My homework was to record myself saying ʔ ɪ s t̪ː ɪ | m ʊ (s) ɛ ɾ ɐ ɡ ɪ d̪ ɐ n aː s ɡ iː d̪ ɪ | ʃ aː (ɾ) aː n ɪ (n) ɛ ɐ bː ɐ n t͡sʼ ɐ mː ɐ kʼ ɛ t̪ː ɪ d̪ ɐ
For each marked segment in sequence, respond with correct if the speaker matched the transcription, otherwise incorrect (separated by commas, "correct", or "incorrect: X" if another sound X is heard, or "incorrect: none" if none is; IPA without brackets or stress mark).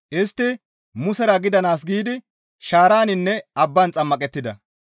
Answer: correct, correct, incorrect: nː